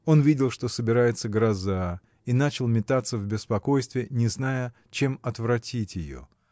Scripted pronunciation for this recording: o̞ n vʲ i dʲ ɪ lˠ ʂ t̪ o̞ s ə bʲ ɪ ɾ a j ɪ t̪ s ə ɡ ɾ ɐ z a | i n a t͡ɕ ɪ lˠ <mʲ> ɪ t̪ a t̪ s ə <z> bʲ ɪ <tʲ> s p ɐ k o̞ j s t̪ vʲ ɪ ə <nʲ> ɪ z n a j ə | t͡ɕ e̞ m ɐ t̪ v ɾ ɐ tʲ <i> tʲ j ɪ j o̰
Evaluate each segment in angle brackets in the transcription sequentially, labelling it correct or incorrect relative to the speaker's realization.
correct, incorrect, incorrect, correct, correct

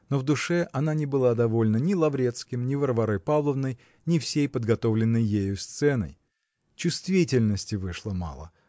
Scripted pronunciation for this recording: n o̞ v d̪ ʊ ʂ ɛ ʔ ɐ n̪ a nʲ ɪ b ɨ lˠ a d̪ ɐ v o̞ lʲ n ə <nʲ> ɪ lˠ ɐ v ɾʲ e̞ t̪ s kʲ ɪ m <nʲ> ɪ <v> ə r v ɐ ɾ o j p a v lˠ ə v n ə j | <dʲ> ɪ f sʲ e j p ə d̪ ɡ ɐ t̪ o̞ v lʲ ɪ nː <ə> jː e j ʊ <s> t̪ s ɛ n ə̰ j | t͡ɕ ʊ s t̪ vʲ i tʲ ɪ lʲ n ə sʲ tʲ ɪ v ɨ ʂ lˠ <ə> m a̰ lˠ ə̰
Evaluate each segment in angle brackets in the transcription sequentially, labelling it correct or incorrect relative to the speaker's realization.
correct, correct, correct, incorrect, correct, correct, correct

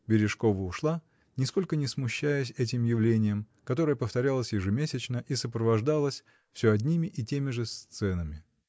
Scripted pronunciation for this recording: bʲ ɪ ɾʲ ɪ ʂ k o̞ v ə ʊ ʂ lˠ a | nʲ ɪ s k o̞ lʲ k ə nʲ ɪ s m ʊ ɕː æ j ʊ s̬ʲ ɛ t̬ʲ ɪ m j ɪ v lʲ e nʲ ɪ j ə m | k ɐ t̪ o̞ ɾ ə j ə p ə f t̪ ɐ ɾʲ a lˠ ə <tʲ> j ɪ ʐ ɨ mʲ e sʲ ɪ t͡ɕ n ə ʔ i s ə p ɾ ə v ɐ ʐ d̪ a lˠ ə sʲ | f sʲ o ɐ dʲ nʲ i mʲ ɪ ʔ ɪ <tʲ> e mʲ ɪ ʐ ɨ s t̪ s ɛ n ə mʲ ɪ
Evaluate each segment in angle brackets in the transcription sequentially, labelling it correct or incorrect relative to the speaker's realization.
incorrect, correct

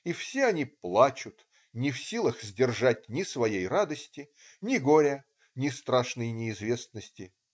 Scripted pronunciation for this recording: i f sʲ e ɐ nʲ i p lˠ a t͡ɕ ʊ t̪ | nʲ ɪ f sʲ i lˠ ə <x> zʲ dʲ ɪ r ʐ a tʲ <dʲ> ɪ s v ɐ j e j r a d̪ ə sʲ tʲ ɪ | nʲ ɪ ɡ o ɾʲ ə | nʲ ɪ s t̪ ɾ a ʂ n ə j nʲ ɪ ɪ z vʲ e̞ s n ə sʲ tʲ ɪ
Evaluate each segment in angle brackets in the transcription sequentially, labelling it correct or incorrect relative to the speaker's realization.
correct, incorrect

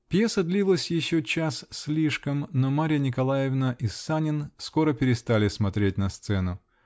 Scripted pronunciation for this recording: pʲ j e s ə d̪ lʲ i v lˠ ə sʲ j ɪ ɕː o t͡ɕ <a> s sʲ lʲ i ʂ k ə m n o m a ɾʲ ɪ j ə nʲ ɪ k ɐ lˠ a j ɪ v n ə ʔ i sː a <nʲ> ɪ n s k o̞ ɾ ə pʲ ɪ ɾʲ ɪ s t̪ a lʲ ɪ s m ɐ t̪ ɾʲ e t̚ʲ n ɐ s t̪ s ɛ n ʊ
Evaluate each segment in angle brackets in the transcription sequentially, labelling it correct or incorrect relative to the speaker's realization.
correct, correct

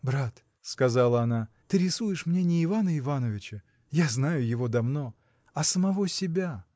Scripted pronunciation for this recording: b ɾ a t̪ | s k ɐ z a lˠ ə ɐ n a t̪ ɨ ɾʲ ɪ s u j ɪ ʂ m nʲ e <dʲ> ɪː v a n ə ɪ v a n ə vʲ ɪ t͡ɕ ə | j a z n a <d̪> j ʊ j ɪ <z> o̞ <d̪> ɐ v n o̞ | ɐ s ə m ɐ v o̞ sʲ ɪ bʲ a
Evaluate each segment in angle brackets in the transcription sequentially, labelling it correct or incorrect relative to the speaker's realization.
incorrect, incorrect, incorrect, correct

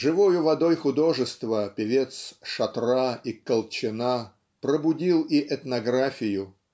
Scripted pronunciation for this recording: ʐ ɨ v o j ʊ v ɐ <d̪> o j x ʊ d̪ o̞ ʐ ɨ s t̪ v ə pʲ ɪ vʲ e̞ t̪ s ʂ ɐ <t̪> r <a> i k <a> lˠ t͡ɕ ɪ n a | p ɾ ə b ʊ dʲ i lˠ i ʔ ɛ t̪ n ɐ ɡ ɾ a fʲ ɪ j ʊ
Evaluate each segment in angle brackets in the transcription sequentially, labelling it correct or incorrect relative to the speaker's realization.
correct, correct, correct, incorrect

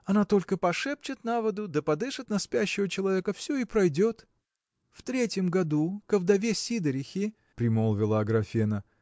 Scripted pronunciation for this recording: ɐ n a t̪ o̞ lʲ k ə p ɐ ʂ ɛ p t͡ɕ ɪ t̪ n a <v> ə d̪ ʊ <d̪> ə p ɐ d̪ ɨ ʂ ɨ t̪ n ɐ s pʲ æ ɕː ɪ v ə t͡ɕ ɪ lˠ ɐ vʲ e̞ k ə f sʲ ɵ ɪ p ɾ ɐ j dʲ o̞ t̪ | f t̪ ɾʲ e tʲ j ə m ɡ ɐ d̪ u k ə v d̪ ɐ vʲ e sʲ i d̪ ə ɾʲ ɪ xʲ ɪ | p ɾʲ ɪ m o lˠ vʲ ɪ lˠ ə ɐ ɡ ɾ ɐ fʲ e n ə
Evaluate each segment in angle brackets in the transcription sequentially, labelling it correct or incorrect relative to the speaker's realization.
correct, correct

